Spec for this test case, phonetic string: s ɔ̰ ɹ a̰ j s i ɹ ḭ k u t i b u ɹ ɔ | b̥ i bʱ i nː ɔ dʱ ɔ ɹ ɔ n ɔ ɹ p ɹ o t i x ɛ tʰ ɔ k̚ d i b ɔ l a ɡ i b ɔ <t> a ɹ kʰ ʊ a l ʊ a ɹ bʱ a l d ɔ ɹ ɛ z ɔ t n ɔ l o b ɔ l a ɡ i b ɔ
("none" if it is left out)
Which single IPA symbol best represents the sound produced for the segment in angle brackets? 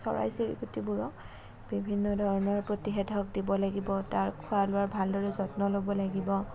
t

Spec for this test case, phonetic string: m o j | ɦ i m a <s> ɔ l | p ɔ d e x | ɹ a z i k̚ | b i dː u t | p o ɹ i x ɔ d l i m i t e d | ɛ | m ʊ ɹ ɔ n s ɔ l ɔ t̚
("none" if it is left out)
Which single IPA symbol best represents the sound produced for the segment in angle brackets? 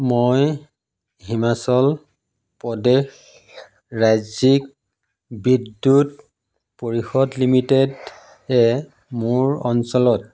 s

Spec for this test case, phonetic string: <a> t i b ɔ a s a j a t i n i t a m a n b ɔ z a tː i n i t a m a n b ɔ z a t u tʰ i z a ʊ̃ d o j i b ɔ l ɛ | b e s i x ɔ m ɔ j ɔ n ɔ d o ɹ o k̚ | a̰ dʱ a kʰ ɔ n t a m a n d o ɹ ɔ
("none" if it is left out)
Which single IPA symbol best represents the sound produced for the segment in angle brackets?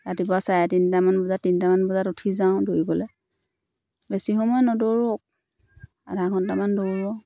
a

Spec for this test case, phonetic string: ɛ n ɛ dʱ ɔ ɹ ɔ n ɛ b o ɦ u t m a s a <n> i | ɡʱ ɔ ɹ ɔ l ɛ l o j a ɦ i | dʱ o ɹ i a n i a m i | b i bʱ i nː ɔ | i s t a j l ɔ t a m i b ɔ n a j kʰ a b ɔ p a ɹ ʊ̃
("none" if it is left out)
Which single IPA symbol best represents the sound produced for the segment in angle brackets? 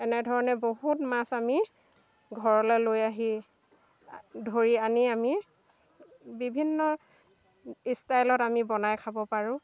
m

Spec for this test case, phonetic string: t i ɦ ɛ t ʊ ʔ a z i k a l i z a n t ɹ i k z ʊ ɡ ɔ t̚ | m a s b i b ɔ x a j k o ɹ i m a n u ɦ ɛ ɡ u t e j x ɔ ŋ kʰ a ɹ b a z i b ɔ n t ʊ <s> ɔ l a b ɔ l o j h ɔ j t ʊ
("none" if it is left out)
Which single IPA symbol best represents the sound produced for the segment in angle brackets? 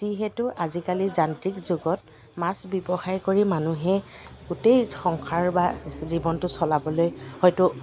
s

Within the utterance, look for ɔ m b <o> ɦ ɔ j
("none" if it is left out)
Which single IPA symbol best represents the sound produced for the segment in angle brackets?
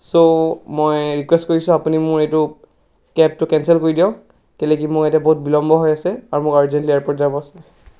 ɔ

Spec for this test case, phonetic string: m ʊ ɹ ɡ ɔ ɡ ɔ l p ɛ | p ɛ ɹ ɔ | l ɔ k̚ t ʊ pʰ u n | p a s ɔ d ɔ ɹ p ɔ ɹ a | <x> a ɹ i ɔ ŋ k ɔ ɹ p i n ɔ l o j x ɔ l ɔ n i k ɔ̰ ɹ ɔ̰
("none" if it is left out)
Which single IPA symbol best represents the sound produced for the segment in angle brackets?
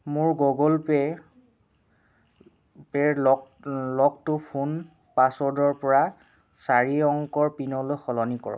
s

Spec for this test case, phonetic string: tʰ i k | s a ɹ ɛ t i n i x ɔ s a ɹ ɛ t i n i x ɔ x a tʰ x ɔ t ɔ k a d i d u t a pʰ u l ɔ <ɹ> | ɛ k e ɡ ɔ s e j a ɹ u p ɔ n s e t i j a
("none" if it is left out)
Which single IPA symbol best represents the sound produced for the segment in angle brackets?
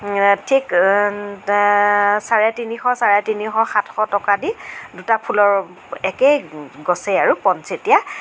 ɹ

